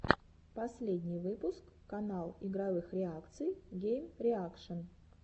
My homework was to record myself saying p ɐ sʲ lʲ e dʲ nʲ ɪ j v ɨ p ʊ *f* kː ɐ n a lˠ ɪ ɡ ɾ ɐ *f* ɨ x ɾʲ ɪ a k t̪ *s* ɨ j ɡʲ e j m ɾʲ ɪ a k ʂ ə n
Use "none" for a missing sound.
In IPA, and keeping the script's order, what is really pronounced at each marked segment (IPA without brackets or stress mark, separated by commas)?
s, v, s